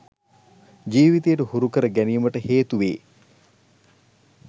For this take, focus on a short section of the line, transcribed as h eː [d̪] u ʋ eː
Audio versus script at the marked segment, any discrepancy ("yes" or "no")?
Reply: yes